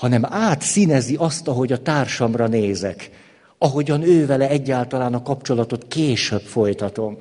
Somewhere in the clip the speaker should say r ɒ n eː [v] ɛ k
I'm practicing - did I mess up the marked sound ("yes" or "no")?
yes